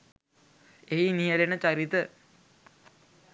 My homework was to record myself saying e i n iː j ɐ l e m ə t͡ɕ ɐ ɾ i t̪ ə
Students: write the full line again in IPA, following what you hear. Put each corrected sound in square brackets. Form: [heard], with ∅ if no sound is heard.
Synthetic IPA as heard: e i n [i] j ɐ l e [n] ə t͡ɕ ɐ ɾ i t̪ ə